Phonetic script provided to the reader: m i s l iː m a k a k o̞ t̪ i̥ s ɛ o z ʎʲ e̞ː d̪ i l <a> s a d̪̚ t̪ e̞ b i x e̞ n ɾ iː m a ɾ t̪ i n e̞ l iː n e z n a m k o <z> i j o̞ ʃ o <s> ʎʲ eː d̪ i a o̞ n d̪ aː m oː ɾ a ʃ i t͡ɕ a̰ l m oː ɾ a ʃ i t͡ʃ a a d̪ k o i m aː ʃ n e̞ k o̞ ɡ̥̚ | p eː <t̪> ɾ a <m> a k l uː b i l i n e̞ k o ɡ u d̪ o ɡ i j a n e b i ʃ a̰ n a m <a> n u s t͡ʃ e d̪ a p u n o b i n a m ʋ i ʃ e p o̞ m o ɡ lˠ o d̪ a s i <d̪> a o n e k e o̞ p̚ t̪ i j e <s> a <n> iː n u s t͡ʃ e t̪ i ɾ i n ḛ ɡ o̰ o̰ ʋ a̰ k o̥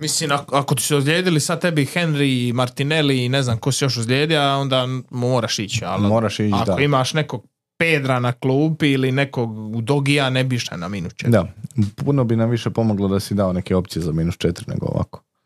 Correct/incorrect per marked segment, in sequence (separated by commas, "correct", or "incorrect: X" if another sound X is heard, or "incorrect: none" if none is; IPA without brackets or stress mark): incorrect: i, incorrect: s, incorrect: z, incorrect: d̪, incorrect: n, incorrect: i, correct, incorrect: z, incorrect: m